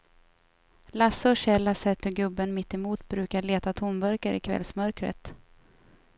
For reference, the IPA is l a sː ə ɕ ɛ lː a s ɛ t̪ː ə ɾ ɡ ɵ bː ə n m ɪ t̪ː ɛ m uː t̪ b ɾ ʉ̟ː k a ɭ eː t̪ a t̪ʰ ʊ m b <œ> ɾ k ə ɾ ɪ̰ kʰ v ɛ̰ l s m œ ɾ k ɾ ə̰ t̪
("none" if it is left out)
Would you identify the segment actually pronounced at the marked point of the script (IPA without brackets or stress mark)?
œ